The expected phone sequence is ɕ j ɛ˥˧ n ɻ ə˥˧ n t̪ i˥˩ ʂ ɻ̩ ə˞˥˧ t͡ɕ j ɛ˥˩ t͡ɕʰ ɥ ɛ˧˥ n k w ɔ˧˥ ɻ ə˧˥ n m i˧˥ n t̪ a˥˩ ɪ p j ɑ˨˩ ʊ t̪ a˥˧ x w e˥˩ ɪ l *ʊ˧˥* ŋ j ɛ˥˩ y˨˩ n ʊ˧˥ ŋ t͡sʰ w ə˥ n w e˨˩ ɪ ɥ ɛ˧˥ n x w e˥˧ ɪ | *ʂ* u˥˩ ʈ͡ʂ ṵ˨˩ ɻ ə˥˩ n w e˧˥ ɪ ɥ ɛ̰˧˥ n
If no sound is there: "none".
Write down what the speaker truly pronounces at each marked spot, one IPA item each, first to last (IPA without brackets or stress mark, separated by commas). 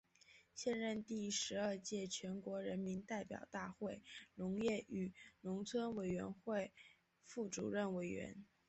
ʊ˧˥, f